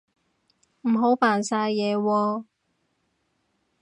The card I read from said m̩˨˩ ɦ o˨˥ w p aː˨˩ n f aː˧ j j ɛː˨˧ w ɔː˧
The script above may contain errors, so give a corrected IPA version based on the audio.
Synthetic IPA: m̩˨˩ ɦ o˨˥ w p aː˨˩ n s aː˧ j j ɛː˨˧ w ɔː˧